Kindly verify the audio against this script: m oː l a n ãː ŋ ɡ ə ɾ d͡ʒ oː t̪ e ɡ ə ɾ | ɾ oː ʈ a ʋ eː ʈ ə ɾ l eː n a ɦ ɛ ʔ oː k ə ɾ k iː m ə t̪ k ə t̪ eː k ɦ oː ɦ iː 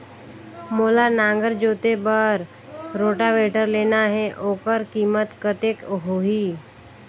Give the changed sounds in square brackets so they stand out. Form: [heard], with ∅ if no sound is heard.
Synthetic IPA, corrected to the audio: m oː l a n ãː ŋ ɡ ə ɾ d͡ʒ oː t̪ e [b] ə ɾ | ɾ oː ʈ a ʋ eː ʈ ə ɾ l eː n a ɦ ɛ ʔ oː k ə ɾ k iː m ə t̪ k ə t̪ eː k ɦ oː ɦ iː

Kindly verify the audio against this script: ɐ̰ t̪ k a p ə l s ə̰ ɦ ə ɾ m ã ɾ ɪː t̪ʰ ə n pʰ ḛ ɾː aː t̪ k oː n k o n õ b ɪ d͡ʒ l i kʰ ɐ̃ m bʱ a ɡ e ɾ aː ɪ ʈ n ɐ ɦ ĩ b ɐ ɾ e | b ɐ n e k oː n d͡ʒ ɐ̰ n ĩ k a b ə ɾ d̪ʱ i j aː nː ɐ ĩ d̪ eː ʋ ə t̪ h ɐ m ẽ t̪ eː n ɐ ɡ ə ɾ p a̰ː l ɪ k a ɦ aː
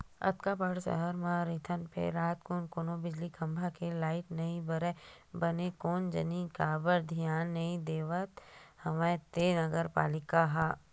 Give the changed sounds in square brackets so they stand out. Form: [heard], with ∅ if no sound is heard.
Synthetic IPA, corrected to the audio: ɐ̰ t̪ k a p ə [ɽ] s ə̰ ɦ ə ɾ m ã ɾ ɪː t̪ʰ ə n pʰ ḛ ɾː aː t̪ k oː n k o n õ b ɪ d͡ʒ l i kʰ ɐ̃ m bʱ a [k] e [l] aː ɪ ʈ n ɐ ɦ ĩ b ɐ ɾ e | b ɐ n e k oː n d͡ʒ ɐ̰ n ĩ k a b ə ɾ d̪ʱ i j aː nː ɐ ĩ d̪ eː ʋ ə t̪ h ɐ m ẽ t̪ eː n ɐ ɡ ə ɾ p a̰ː l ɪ k a ɦ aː

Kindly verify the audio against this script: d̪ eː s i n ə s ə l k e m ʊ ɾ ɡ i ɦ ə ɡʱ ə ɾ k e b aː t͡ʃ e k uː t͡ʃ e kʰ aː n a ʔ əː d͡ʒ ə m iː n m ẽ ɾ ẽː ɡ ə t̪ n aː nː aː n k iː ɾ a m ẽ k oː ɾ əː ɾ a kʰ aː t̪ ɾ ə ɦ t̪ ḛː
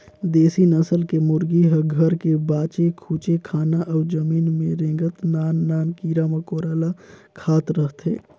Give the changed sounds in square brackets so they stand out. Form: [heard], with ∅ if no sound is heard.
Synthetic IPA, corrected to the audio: d̪ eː s i n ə s ə l k e m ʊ ɾ ɡ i ɦ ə ɡʱ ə ɾ k e b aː t͡ʃ e [kʰ] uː t͡ʃ e kʰ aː n a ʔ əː d͡ʒ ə m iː n m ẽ ɾ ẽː ɡ ə t̪ n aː nː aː n k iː ɾ a m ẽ k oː ɾ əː [l] a kʰ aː t̪ ɾ ə ɦ t̪ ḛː

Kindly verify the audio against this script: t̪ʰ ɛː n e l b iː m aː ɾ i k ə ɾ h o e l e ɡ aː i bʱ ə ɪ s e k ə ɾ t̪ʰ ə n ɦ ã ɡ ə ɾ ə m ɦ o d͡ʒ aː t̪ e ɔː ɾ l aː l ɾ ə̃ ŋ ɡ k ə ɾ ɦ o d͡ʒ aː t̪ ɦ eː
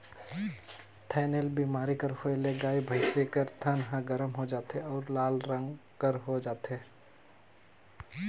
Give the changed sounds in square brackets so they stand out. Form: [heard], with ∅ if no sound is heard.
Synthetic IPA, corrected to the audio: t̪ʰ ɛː n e l b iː m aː ɾ i k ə ɾ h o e l e ɡ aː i bʱ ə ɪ s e k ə ɾ t̪ʰ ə n ɦ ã ɡ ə ɾ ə m ɦ o d͡ʒ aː t̪ e ɔː ɾ l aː l ɾ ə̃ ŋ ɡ k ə ɾ ɦ o d͡ʒ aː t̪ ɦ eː

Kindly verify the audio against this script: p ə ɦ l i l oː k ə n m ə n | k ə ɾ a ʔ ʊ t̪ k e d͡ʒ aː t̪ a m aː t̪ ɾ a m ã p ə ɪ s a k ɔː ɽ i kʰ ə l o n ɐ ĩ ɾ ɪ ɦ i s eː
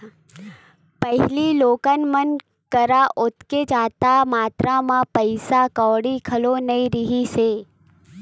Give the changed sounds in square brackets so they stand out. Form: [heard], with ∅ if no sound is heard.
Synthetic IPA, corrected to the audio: p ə ɦ l i l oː k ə n m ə n | k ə ɾ a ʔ ʊ t̪ k e d͡ʒ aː t̪ a m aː t̪ ɾ a m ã p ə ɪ s a k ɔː ɽ i kʰ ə l o n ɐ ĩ ɾ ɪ ɦ i s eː

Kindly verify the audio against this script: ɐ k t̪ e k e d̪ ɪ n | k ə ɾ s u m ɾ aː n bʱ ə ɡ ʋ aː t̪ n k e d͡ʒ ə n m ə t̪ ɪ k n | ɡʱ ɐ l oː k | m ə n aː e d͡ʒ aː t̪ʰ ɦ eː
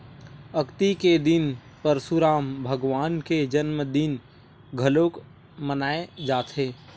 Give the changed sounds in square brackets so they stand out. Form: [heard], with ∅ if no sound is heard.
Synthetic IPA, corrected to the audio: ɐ k t̪ [i] k e d̪ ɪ n | [p] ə ɾ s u [∅] ɾ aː [m] bʱ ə ɡ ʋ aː [∅] n k e d͡ʒ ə n m ə [d̪] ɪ [∅] n | ɡʱ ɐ l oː k | m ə n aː e d͡ʒ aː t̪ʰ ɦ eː

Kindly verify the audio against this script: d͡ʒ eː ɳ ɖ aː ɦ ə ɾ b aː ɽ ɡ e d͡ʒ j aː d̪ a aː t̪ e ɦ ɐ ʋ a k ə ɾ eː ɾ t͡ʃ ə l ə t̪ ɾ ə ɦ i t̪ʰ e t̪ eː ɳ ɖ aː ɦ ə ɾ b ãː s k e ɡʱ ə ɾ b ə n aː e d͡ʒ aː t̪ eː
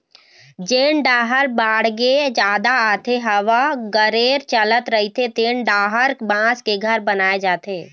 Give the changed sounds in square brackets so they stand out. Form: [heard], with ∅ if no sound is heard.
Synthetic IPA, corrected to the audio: d͡ʒ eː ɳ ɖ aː ɦ ə ɾ b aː ɽ ɡ e d͡ʒ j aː d̪ a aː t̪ e ɦ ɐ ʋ a [ɡ] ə ɾ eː ɾ t͡ʃ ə l ə t̪ ɾ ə ɦ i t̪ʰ e t̪ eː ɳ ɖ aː ɦ ə ɾ b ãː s k e ɡʱ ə ɾ b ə n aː e d͡ʒ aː t̪ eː

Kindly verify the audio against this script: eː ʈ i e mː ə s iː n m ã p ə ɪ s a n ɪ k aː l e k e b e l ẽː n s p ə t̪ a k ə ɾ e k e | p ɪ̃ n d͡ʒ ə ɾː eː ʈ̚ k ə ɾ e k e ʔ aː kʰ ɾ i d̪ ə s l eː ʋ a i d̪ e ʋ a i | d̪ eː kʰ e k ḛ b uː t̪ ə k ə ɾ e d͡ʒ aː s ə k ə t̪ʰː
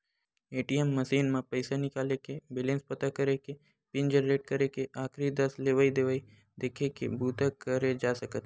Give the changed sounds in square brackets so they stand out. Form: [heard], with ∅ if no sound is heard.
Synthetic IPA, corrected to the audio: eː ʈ i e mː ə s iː n m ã p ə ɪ s a n ɪ k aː l e k e b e l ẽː n s p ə t̪ a k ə ɾ e k e | p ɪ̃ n d͡ʒ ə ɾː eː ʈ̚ k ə ɾ e k e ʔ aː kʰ ɾ i d̪ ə s l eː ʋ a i d̪ e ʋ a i | d̪ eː kʰ e k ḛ b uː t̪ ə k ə ɾ e d͡ʒ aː s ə k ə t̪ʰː

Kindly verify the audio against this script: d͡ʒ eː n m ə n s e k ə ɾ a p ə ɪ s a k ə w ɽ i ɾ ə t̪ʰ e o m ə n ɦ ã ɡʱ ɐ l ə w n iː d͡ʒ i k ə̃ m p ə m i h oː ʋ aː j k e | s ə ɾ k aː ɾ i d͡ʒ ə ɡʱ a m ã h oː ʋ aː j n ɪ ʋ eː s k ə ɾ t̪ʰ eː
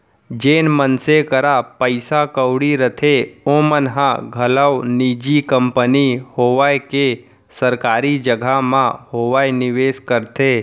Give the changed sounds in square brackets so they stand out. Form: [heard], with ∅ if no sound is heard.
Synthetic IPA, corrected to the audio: d͡ʒ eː n m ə n s e k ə ɾ a p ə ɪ s a k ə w ɽ i ɾ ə t̪ʰ e o m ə n ɦ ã ɡʱ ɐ l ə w n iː d͡ʒ i k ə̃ m p ə [n] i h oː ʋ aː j k e | s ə ɾ k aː ɾ i d͡ʒ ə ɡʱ a m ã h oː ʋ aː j n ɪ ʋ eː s k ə ɾ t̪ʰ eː

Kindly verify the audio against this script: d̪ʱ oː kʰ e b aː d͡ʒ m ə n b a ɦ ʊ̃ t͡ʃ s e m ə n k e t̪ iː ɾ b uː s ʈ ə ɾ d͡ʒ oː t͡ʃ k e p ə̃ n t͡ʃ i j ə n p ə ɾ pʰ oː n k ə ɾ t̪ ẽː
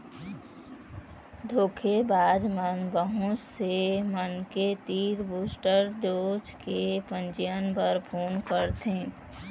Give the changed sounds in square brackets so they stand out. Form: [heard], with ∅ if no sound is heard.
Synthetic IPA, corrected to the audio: d̪ʱ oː kʰ e b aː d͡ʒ m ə n b [ə] ɦ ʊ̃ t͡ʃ s e m ə n k e t̪ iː ɾ b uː s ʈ ə ɾ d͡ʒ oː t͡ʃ k e p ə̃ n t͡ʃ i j ə n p ə ɾ pʰ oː n k ə ɾ t̪ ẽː

